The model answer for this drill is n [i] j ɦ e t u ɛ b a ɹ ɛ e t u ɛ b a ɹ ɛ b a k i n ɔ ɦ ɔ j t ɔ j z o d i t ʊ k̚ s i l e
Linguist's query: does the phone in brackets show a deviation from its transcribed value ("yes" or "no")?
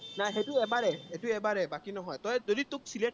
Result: yes